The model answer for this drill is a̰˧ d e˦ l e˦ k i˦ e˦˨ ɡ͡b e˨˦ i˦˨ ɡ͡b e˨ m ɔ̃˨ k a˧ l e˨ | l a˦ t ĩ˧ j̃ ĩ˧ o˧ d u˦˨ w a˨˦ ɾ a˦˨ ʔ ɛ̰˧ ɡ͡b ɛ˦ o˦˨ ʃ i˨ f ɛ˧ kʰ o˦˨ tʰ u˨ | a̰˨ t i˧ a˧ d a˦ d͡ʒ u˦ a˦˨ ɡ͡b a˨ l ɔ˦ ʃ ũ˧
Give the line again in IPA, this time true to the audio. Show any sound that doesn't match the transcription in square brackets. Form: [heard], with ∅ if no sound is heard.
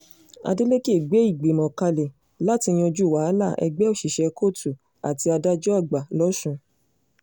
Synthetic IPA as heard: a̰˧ d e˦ l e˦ k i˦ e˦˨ ɡ͡b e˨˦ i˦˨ ɡ͡b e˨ m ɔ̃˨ k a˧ l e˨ | l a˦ t [i˧] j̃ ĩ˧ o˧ [d͡ʒ] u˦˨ w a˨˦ [l] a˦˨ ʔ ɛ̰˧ ɡ͡b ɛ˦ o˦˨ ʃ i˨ [ʃ] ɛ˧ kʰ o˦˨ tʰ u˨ | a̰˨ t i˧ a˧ d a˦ d͡ʒ [ɔ˦] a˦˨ ɡ͡b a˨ l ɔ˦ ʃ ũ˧